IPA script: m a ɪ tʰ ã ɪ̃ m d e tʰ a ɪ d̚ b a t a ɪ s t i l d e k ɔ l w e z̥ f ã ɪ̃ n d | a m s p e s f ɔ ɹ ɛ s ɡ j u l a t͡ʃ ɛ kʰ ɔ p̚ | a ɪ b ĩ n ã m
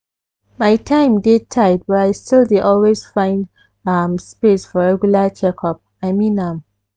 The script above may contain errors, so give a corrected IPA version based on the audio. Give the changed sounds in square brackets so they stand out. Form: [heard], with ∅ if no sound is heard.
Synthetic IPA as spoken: m a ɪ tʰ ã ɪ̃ m d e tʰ a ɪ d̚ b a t a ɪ s t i l d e [ʔ] ɔ l w e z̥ f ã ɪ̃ n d | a m s p e s f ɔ ɹ ɛ [∅] ɡ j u l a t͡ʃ ɛ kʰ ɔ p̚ | a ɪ [m] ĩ n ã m